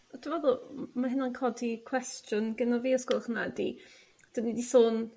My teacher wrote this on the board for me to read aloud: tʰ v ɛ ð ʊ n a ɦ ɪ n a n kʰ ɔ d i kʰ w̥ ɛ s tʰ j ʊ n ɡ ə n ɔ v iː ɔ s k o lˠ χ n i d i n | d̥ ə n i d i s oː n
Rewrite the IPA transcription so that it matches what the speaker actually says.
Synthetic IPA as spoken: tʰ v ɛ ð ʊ m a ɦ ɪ n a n kʰ ɔ d i kʰ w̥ ɛ s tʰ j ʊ n ɡ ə n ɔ v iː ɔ s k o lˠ χ n a d i | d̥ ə n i d i s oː n